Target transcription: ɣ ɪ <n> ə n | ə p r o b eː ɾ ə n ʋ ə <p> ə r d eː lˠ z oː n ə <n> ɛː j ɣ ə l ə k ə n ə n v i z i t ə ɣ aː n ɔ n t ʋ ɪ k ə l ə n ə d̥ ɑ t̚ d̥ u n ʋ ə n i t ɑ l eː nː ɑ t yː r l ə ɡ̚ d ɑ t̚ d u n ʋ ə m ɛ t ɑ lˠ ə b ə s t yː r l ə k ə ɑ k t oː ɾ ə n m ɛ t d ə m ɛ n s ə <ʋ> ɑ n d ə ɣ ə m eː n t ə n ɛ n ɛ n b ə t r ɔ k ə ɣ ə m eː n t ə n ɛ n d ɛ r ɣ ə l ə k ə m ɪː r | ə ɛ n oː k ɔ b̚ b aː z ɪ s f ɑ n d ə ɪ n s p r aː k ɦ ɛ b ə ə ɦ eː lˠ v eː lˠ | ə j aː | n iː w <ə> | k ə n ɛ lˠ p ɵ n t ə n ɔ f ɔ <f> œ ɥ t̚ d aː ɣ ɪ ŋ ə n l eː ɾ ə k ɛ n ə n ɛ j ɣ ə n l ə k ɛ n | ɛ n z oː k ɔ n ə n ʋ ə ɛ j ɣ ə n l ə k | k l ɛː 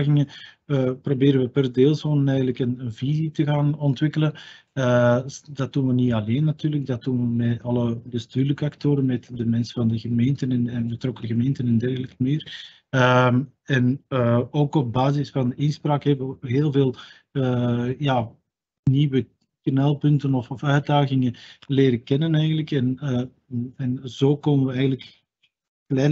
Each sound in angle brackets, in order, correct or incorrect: incorrect: ŋ, correct, correct, incorrect: v, correct, correct

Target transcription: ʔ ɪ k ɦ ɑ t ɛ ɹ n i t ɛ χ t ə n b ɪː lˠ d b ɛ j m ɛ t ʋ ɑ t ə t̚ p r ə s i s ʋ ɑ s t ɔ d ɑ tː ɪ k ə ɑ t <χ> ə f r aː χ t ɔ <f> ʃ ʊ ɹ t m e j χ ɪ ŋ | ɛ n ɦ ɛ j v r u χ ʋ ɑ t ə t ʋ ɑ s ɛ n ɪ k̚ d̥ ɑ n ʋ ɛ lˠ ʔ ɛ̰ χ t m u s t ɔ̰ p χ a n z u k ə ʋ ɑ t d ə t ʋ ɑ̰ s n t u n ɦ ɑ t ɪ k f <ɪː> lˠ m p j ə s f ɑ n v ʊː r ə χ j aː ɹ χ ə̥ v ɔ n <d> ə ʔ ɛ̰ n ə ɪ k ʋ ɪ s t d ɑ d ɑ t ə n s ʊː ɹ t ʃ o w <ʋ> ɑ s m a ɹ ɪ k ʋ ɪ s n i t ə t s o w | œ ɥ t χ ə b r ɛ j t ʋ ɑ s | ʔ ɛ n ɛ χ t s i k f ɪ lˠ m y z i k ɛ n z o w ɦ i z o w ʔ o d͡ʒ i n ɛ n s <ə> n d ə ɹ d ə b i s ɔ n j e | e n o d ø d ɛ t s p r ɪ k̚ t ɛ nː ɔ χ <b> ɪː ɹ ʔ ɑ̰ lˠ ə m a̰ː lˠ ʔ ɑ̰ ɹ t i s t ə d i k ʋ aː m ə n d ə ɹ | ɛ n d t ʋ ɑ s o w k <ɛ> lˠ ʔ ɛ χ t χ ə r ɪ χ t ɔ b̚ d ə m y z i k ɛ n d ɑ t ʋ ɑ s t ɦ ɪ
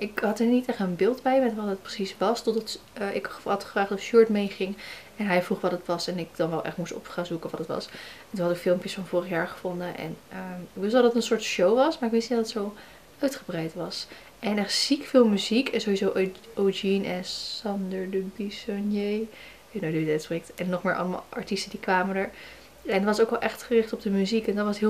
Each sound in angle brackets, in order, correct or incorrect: correct, correct, incorrect: ɪ, correct, correct, incorrect: ɑ, incorrect: m, correct

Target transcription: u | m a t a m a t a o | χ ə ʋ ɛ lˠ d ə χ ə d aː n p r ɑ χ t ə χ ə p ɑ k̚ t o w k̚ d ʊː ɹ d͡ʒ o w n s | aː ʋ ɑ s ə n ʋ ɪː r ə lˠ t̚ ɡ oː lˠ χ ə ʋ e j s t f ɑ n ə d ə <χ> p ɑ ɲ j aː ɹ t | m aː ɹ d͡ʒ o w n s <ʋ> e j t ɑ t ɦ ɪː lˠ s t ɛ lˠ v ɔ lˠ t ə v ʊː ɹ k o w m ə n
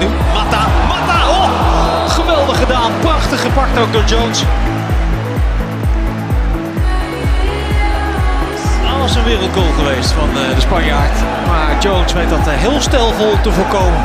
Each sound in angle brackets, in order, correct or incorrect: incorrect: s, correct

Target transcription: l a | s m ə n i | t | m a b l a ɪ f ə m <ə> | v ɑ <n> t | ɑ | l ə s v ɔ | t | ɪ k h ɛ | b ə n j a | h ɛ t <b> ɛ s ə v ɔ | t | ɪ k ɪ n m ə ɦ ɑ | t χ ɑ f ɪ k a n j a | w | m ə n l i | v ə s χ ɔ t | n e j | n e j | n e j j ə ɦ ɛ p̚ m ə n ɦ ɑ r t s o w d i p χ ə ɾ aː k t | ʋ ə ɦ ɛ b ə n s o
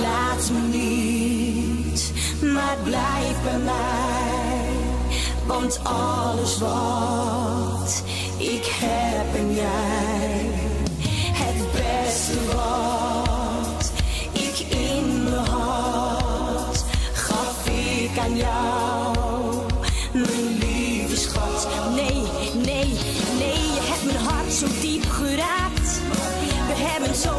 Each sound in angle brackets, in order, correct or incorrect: incorrect: a, correct, correct

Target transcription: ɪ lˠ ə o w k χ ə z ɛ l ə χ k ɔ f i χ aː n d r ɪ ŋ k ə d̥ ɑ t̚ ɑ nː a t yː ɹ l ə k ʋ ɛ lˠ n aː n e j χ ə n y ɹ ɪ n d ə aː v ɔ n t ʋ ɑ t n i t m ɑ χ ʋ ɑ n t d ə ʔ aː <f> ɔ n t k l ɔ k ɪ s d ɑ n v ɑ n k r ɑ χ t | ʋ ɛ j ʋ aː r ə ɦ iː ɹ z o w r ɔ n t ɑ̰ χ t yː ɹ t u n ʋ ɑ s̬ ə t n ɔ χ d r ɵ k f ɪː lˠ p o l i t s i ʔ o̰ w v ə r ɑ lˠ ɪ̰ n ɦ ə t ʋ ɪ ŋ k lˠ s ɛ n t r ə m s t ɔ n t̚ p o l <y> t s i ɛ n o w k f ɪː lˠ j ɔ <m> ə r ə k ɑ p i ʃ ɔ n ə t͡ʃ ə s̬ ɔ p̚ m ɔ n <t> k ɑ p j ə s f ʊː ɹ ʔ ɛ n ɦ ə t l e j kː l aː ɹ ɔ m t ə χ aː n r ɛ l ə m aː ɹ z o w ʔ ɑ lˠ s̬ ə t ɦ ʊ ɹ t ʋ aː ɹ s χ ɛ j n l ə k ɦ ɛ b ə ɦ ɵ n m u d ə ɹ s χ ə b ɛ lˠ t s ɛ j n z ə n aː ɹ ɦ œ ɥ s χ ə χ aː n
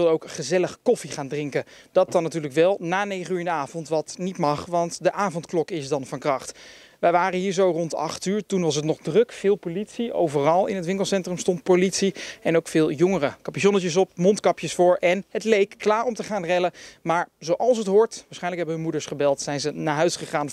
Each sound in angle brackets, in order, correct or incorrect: incorrect: v, incorrect: i, incorrect: ŋ, correct

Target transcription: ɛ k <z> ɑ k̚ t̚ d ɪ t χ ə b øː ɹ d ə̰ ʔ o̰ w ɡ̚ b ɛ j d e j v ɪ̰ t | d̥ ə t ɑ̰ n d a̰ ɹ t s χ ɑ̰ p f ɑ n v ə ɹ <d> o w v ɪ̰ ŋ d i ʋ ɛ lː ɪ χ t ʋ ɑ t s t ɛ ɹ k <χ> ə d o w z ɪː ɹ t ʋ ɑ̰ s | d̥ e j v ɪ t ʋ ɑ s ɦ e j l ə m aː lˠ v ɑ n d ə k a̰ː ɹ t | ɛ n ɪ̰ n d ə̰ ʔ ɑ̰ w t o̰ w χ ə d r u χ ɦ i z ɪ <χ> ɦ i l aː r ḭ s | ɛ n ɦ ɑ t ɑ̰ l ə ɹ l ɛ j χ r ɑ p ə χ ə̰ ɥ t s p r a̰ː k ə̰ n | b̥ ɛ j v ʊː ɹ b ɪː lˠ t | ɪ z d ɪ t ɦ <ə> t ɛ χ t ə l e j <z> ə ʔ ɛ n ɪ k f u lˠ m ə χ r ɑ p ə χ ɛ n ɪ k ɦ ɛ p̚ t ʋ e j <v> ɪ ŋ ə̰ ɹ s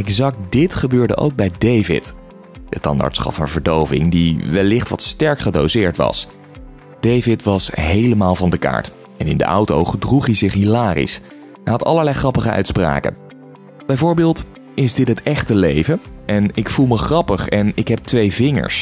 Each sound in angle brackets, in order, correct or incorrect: correct, correct, correct, correct, correct, incorrect: v, correct

